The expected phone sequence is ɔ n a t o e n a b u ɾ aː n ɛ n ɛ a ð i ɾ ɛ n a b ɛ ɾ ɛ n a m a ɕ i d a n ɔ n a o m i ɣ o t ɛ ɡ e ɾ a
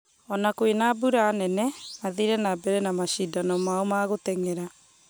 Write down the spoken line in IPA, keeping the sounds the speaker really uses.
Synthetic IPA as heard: ɔ n a k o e n a b u ɾ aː n ɛ n ɛ a ð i ɾ ɛ n a b ɛ ɾ ɛ n a m a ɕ i d a n ɔ m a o m a ɣ o t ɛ ŋ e ɾ a